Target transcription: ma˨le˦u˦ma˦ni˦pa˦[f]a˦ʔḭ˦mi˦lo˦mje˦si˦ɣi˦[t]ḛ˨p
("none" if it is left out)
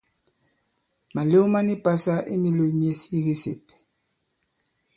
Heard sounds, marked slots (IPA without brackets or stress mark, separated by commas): s, s